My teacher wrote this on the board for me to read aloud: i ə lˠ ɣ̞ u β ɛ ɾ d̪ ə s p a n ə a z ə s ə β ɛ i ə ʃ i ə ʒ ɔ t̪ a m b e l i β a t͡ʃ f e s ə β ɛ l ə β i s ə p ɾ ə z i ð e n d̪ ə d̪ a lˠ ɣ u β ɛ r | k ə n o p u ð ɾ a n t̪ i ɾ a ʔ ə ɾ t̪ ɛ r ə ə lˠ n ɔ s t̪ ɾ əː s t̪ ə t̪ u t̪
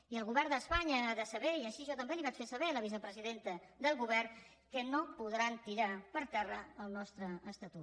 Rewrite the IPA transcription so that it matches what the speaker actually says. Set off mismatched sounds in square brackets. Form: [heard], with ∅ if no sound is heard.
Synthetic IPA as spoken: i ə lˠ ɣ̞ u β ɛ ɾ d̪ ə s p a [ɲ] ə a [ð] ə s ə β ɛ i ə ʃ i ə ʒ ɔ t̪ [ə] m b e l i β a t͡ʃ f e s ə β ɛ l ə β i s ə p ɾ ə z i ð e n [t̪] ə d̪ [ə] lˠ ɣ u β ɛ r | k ə n o p u ð ɾ a n t̪ i ɾ a [p] ə ɾ t̪ ɛ r ə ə lˠ n ɔ s t̪ ɾ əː s t̪ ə t̪ u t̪